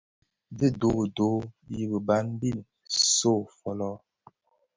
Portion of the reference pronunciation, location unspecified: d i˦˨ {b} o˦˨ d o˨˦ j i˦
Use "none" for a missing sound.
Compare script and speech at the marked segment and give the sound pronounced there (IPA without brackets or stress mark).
d